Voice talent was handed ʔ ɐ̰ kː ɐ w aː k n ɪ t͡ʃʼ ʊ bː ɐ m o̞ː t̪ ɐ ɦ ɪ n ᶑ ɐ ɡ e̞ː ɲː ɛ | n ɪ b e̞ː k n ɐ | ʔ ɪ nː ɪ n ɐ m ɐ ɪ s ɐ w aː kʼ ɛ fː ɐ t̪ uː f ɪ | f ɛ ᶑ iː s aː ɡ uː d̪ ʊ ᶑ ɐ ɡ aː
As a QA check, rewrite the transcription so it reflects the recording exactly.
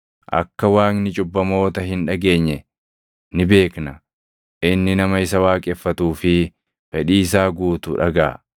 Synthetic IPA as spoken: ʔ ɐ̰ kː ɐ w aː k n ɪ t͡ʃʼ ʊ bː ɐ m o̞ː t̪ ɐ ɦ ɪ n ᶑ ɐ ɡ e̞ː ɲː ɛ | n ɪ b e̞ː k n ɐ | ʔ ɪ nː ɪ n ɐ m ɐ ɪ s ɐ w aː kʼ ɛ fː ɐ t̪ uː f ɪ | f ɛ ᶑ iː s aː ɡ uː t̪ ʊ ᶑ ɐ ɡ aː